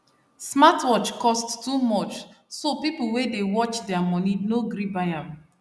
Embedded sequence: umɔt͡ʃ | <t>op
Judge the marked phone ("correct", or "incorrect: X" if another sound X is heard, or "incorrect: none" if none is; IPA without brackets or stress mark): incorrect: s